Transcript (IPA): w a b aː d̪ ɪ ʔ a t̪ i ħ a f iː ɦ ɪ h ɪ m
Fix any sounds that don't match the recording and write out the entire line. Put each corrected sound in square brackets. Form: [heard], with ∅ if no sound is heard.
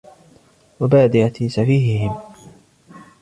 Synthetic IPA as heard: w a b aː d̪ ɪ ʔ a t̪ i [s] a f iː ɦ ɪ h ɪ m